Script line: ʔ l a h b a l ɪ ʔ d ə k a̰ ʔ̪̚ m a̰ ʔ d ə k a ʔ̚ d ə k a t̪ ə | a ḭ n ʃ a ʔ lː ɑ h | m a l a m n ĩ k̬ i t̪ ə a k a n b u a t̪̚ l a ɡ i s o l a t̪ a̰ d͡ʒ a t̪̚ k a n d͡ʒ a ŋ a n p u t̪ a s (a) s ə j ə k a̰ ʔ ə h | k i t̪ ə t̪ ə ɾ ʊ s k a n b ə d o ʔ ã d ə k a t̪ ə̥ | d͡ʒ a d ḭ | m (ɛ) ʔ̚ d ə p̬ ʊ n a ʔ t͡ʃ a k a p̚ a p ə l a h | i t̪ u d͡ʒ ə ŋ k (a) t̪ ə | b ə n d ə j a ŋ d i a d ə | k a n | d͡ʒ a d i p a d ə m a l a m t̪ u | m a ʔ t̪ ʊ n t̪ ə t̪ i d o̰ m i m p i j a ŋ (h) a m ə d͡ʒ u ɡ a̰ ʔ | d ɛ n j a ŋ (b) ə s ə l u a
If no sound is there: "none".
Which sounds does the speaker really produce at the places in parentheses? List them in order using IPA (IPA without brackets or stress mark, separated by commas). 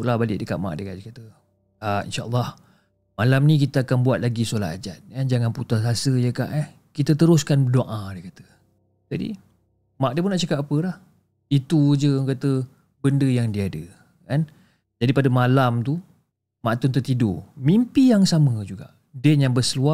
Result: a, a, a, s, b